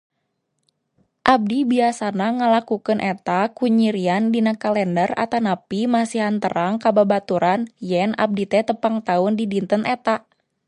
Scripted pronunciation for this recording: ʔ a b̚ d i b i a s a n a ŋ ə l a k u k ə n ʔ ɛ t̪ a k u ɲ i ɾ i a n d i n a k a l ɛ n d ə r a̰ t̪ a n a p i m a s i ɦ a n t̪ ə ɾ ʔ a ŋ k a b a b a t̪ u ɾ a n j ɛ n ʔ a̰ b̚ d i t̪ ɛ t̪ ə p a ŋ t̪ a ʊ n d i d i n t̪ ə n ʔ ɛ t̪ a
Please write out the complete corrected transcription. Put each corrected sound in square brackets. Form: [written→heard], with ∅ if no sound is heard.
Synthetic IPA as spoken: ʔ a b̚ d i b i a s a n a ŋ ə l a k u k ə n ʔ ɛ t̪ a k u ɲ i ɾ i a n d i n a k a l ɛ n d ə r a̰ t̪ a n a p i m a s i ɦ a n t̪ ə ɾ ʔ a ŋ k a b a b a t̪ u ɾ a n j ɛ n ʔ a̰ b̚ d i t̪ ɛ t̪ ə p a ŋ t̪ a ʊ n d i d i n t̪ ə n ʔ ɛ t̪ a